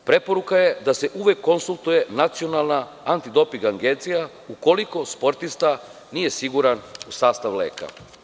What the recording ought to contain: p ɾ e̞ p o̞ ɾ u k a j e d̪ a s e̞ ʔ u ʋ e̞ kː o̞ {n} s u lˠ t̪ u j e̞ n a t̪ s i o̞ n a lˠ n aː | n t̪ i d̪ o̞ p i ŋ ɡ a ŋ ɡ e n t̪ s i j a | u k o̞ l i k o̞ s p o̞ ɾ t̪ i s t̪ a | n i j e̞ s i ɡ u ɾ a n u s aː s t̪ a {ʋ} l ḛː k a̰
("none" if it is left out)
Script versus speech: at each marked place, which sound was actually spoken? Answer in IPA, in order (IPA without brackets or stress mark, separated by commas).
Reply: n, ʋ